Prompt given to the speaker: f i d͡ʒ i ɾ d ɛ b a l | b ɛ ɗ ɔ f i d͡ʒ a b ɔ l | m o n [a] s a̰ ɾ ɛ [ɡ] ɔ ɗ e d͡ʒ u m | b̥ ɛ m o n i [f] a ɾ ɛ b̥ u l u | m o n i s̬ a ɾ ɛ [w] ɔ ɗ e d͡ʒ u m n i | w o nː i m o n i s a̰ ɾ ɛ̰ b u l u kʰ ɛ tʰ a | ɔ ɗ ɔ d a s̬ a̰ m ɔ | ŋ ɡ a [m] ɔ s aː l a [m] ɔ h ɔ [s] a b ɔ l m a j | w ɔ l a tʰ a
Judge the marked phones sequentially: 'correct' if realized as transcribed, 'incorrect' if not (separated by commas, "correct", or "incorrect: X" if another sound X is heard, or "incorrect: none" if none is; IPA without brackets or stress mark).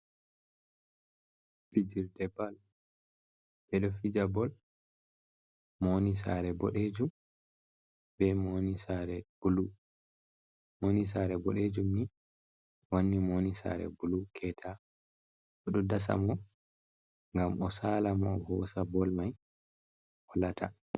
incorrect: i, incorrect: b, incorrect: s, incorrect: b, correct, correct, correct